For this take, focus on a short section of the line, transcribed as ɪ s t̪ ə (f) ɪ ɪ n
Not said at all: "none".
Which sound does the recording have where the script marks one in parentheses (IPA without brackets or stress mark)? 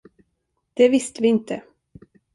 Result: v